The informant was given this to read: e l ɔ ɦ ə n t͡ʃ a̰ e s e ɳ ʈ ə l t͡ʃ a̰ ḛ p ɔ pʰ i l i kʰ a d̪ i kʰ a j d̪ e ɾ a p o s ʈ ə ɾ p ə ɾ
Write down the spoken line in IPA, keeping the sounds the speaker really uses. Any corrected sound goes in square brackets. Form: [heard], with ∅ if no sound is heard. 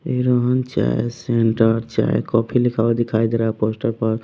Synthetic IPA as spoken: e [ɾ] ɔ ɦ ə n t͡ʃ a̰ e s e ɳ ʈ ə [ɾ] t͡ʃ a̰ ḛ [k] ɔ pʰ i l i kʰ a d̪ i kʰ a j d̪ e ɾ a p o s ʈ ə ɾ p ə ɾ